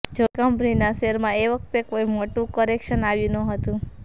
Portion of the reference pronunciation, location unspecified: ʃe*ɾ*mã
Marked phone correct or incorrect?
correct